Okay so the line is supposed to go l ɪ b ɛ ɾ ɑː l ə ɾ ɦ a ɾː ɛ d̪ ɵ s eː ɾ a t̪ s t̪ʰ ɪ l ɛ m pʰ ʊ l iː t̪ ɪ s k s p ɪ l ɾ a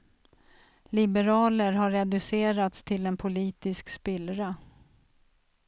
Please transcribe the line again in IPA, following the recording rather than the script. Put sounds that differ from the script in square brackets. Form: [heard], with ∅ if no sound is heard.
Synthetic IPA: l ɪ b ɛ ɾ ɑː l ə ɾ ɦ a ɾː ɛ d̪ ɵ s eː ɾ a t̪ s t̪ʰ ɪ l ɛ [n] pʰ ʊ l iː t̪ ɪ s k s p ɪ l ɾ a